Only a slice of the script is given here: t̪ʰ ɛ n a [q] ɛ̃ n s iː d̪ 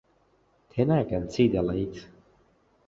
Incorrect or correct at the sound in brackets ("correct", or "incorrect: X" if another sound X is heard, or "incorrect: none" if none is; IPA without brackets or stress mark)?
incorrect: k